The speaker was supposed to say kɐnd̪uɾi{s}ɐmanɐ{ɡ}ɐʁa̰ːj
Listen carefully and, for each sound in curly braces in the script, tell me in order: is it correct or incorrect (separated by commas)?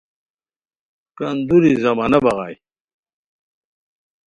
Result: incorrect, incorrect